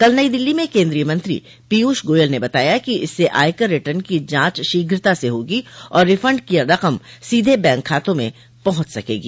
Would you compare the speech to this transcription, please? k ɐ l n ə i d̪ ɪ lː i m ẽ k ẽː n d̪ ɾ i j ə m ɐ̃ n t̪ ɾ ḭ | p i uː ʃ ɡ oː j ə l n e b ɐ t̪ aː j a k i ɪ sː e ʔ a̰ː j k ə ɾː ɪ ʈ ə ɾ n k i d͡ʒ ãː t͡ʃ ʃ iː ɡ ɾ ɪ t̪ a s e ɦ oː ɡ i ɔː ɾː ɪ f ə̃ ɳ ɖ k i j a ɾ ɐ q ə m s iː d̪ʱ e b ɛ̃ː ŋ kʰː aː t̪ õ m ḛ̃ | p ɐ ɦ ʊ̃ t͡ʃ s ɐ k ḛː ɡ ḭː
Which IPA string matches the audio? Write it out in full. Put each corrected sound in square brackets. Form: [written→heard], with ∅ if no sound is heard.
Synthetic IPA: k ɐ l n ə i d̪ ɪ lː i m ẽ k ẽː n d̪ ɾ i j ə m ɐ̃ n t̪ ɾ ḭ | p i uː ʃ ɡ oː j ə l n e b ɐ t̪ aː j a k i ɪ sː e ʔ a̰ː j k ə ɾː ɪ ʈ ə ɾ n k i d͡ʒ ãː t͡ʃ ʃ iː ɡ ɾ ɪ t̪ a s e ɦ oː ɡ i ɔː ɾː ɪ f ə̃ ɳ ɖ k i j a ɾ ɐ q ə m s iː d̪ʱ e b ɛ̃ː ŋ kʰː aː t̪ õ m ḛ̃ | p ɐ ɦ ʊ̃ t͡ʃ s ɐ k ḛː ɡ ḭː